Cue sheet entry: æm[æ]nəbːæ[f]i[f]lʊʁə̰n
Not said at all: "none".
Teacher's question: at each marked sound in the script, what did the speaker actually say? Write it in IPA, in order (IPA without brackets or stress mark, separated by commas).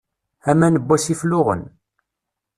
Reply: æ, s, f